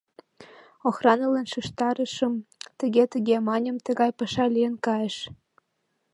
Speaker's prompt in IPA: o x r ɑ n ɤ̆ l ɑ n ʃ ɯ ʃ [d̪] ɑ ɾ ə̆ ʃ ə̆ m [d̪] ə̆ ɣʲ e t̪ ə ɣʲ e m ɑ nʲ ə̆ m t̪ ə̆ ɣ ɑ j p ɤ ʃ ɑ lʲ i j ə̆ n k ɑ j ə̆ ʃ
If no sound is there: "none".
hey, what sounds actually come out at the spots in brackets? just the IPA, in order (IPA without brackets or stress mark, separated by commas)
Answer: t̪, t̪